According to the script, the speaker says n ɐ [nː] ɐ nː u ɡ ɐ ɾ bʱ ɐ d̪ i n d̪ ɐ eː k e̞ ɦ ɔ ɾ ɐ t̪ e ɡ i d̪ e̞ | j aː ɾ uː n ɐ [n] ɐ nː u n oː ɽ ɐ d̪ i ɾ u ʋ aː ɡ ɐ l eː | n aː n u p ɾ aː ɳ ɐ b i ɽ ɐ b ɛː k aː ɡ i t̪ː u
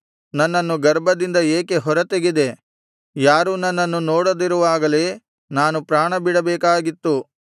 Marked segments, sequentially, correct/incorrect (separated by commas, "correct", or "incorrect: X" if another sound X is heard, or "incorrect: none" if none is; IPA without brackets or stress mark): correct, incorrect: nː